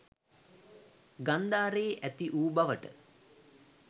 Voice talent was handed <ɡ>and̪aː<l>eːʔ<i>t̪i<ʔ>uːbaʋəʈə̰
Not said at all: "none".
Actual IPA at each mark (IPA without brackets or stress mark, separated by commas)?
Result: ɡ, ɾ, æ, ʔ